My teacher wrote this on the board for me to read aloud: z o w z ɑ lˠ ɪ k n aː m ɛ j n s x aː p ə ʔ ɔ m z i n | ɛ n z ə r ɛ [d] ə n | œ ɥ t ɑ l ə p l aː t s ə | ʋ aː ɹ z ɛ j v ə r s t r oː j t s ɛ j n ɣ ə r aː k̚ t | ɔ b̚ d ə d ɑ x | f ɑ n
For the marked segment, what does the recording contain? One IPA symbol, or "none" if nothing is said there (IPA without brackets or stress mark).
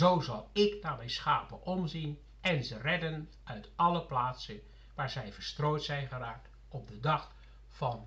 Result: d